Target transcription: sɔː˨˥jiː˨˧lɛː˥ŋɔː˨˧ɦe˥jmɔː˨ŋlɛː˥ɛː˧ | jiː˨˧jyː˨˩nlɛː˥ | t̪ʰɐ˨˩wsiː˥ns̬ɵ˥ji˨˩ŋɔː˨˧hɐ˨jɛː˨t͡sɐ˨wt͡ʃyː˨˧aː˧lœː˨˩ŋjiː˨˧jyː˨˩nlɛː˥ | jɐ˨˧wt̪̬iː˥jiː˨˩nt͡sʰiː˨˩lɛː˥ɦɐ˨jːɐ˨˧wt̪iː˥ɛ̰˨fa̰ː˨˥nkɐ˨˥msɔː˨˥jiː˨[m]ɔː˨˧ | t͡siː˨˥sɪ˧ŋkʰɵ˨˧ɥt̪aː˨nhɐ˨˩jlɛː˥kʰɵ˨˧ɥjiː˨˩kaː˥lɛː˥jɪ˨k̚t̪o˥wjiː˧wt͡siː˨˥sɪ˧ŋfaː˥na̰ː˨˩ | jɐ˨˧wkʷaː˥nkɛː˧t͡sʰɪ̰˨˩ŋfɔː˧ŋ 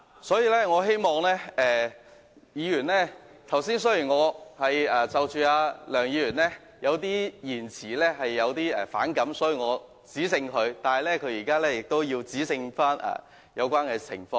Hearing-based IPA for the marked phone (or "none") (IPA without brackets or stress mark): ŋ